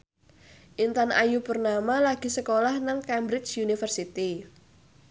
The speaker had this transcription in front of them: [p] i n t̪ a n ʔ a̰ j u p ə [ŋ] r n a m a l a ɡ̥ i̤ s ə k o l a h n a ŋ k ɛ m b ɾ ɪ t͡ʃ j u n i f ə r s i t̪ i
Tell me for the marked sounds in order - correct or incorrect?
incorrect, incorrect

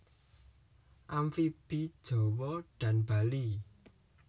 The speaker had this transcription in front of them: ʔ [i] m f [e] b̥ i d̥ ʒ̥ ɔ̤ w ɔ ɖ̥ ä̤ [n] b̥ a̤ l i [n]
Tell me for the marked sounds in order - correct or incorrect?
incorrect, incorrect, correct, incorrect

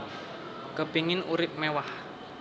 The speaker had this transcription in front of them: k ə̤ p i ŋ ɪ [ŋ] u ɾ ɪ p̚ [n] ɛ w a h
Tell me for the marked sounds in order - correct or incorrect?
incorrect, incorrect

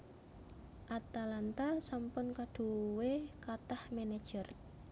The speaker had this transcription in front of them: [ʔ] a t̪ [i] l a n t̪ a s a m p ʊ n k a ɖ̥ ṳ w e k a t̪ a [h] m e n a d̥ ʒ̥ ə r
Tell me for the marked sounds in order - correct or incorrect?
correct, incorrect, correct

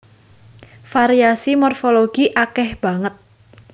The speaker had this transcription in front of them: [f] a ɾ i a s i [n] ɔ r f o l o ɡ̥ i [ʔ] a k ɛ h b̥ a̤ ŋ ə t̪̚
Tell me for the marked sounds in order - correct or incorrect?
correct, incorrect, correct

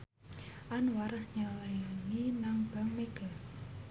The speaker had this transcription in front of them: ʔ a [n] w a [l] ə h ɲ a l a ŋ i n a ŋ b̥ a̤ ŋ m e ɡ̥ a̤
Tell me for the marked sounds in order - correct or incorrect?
correct, incorrect

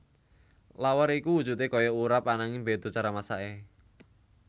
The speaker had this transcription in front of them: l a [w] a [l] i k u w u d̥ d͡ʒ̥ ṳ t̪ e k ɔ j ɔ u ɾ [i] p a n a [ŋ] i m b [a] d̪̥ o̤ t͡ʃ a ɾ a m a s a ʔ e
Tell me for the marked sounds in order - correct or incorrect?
correct, incorrect, incorrect, correct, incorrect

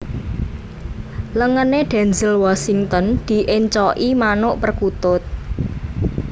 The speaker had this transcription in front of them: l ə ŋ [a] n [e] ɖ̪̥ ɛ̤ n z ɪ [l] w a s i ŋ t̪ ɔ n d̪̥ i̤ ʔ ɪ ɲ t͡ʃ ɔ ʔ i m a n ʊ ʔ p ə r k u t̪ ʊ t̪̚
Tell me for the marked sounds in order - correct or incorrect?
incorrect, correct, correct

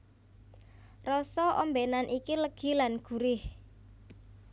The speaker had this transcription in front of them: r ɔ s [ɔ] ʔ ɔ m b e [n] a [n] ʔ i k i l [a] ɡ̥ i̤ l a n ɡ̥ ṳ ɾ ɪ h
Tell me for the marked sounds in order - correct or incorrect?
correct, correct, correct, incorrect

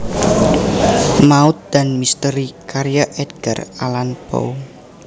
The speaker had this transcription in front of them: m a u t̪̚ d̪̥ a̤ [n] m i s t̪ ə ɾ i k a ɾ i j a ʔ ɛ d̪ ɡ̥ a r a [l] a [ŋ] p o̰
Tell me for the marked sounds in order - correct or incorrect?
correct, correct, incorrect

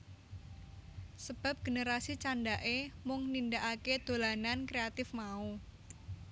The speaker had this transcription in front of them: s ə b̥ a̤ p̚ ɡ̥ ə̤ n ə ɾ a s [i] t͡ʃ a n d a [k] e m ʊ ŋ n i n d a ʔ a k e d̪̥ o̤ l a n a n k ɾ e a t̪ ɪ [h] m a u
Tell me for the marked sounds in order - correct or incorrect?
correct, incorrect, incorrect

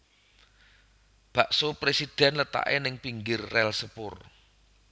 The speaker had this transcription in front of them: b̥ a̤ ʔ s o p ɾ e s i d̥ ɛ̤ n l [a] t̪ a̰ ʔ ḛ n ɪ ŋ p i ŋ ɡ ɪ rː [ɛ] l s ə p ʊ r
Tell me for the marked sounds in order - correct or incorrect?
incorrect, correct

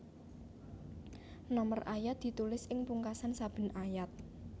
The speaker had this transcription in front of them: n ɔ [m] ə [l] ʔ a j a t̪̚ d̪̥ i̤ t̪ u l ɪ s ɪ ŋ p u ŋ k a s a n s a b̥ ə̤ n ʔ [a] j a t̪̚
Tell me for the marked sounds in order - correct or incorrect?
correct, incorrect, correct

